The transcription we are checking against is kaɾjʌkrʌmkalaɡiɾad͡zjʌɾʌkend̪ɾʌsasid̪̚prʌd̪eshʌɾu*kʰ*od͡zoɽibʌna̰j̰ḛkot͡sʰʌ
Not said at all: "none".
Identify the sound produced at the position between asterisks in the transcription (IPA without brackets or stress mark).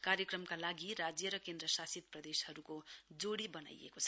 k